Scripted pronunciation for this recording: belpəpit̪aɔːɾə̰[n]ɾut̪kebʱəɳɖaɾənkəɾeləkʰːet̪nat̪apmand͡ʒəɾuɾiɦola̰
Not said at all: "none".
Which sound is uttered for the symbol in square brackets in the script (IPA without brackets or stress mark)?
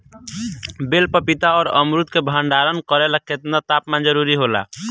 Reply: m